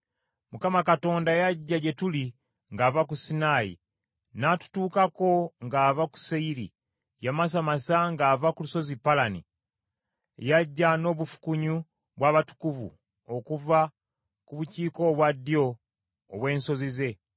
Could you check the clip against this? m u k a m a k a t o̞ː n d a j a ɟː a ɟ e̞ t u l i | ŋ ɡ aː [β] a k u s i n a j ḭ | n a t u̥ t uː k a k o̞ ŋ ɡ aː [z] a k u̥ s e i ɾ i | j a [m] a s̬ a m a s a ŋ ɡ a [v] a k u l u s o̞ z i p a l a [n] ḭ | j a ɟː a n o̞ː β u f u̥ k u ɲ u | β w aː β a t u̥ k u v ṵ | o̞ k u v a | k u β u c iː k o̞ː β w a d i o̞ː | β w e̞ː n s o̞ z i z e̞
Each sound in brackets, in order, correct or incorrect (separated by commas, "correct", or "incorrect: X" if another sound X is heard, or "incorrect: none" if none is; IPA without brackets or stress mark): incorrect: v, incorrect: v, correct, correct, correct